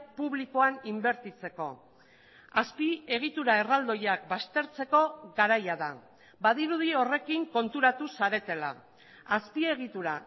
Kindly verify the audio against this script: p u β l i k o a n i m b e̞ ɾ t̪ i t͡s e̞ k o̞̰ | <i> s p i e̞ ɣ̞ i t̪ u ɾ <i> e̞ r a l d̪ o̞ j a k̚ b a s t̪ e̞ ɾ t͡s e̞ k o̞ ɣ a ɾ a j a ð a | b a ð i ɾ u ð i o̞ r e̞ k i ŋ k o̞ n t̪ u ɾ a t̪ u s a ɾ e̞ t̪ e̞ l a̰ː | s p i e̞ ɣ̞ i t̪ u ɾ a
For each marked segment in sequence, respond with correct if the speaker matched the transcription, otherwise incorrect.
incorrect, incorrect

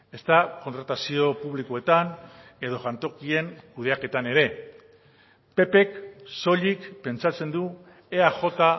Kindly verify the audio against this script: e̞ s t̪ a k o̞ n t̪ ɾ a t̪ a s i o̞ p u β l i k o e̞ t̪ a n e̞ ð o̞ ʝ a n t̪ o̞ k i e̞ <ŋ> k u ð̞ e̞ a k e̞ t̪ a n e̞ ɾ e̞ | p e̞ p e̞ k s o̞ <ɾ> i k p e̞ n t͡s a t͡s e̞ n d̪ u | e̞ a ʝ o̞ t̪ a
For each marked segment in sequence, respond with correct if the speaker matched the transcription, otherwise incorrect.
correct, incorrect

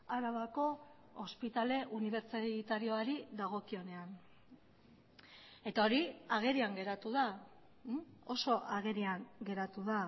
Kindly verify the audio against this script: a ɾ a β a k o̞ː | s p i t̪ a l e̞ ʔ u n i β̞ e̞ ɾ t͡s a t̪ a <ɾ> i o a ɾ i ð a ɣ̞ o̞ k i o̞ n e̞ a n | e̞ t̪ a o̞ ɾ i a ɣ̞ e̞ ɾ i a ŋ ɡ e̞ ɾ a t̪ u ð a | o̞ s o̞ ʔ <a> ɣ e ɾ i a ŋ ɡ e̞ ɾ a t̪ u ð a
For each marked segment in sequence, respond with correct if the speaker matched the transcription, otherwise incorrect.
correct, correct

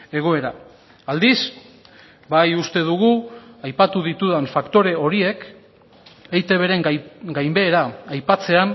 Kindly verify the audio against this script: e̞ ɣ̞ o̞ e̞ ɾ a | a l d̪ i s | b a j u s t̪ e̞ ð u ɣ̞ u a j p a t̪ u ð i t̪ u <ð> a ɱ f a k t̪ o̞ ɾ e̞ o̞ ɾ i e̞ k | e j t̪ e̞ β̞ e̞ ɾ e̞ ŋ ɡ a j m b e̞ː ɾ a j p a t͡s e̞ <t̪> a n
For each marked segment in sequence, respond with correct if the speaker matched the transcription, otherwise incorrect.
correct, incorrect

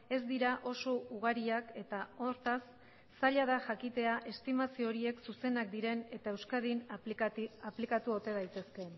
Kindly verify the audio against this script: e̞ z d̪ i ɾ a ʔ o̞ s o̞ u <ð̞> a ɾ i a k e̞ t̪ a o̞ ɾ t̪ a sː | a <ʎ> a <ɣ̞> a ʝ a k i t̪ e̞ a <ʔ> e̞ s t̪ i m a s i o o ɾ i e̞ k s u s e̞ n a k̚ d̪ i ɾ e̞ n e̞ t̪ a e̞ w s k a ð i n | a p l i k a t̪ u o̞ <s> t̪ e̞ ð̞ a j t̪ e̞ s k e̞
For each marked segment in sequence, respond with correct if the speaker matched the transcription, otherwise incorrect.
incorrect, correct, incorrect, correct, incorrect

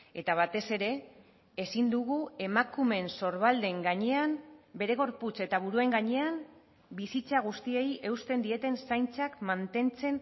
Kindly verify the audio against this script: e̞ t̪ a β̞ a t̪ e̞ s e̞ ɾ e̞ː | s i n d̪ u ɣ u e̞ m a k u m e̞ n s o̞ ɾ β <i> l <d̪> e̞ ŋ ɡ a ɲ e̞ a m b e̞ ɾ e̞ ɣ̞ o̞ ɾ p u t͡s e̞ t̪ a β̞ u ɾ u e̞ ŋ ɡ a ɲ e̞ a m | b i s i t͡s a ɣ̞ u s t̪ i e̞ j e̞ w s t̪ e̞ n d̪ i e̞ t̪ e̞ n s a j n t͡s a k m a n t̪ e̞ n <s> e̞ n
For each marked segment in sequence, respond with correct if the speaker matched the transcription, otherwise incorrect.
incorrect, correct, incorrect

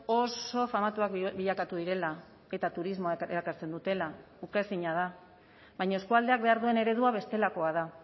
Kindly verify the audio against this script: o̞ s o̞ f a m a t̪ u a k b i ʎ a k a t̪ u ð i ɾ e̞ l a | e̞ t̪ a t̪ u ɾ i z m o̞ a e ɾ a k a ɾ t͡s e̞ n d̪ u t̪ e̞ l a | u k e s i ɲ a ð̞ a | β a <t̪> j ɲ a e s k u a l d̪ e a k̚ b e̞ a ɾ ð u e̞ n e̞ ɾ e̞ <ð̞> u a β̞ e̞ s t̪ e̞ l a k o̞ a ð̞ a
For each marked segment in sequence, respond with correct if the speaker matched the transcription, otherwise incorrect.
incorrect, correct

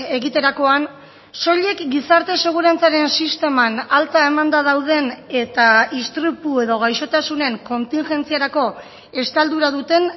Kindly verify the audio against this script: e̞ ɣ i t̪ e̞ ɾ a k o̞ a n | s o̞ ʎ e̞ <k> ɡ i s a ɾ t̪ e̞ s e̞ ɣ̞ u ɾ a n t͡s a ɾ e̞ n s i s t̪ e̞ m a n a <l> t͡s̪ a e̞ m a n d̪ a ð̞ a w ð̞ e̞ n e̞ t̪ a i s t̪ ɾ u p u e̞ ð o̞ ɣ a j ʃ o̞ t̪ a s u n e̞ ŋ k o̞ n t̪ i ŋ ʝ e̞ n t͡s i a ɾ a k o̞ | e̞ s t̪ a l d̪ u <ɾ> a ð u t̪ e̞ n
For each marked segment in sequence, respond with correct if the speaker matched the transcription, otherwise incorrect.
correct, correct, correct

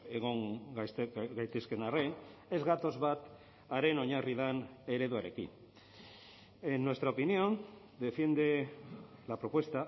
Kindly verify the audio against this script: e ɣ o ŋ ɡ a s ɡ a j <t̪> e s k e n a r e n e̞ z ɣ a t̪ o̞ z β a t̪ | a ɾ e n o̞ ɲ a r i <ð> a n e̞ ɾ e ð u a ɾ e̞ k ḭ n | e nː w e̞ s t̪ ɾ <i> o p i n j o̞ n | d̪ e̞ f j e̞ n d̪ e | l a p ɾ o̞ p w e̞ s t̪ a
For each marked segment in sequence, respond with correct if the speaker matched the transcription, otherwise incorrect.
correct, correct, incorrect

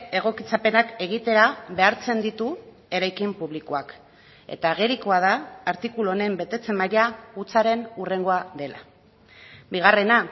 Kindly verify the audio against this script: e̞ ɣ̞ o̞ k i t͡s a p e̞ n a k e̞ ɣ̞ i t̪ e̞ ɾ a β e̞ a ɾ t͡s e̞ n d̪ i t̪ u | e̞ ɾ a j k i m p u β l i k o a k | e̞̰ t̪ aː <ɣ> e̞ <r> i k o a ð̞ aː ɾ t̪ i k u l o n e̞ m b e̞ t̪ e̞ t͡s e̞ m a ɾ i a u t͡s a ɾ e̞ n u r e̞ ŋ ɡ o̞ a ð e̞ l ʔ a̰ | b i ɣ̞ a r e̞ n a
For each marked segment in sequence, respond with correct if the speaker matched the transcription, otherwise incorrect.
correct, incorrect

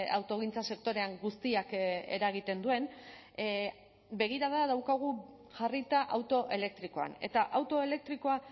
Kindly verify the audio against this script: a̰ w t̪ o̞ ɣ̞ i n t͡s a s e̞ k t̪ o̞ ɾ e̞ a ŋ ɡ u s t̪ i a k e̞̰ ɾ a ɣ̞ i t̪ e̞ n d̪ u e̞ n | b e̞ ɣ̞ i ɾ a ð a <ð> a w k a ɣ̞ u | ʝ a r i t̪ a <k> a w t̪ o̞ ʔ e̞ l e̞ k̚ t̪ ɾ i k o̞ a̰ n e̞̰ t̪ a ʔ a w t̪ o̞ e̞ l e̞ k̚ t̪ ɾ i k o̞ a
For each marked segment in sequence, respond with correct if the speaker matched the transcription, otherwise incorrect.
correct, incorrect

